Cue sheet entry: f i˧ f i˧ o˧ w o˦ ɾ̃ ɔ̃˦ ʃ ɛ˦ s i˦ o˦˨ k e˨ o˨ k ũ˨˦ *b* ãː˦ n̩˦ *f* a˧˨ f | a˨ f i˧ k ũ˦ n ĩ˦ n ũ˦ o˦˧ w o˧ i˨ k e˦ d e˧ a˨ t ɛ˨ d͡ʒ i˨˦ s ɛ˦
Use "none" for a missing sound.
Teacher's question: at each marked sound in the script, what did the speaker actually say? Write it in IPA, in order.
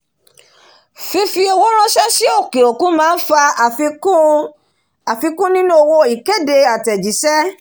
m, f

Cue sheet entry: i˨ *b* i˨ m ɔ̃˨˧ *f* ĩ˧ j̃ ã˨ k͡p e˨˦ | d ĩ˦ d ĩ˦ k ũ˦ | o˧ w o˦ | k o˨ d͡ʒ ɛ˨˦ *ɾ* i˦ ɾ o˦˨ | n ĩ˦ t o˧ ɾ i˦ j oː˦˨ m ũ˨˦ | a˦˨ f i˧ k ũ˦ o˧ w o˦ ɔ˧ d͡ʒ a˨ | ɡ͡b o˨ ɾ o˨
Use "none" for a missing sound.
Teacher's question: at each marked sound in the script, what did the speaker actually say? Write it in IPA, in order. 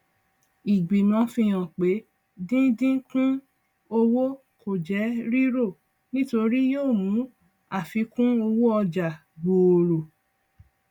ɡ͡b, f, ɾ

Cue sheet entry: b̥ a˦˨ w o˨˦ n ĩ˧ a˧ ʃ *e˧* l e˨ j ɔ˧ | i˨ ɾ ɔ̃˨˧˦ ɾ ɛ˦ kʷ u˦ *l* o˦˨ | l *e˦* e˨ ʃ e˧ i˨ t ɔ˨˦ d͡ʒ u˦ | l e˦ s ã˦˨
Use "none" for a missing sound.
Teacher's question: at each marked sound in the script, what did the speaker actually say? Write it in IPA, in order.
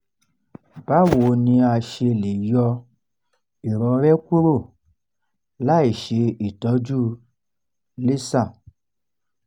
e˧, ɾ, a˦

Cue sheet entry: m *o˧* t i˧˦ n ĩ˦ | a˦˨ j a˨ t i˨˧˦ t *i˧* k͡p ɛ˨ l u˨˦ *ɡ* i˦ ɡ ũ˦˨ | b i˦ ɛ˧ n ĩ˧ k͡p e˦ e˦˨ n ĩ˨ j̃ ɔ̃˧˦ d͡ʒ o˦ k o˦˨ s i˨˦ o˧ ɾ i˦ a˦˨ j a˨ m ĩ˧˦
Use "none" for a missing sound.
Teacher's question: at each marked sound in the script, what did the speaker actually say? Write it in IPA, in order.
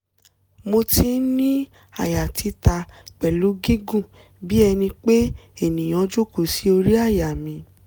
o˧, a˧, ɡ

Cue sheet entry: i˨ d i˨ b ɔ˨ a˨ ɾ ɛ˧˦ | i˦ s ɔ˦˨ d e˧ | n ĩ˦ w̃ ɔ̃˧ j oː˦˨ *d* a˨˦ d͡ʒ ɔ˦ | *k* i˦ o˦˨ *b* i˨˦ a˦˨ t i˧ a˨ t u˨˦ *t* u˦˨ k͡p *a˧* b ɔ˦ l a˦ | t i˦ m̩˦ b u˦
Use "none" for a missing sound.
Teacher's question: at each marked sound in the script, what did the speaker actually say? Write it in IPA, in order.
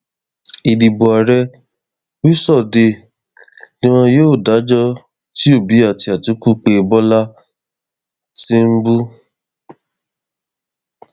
d, t, b, k, e˧

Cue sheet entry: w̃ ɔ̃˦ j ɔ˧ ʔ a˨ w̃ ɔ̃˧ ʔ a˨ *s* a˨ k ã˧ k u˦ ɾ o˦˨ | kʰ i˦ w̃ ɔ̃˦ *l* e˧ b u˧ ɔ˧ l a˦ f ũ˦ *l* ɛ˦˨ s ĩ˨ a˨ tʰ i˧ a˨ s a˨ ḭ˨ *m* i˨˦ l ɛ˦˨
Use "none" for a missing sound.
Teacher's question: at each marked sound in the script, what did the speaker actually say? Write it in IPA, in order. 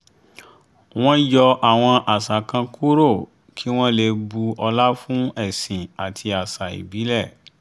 s, l, none, b

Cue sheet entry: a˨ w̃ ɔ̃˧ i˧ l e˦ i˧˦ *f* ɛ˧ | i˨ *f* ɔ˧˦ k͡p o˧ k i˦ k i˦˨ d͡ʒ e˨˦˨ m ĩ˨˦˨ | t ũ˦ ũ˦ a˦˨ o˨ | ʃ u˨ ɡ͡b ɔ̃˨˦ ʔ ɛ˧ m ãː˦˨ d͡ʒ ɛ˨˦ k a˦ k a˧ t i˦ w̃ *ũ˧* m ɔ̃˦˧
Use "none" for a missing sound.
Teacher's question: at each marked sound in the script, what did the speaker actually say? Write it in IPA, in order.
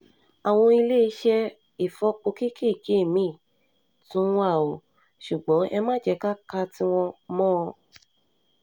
ʃ, f, ɔ̃˧

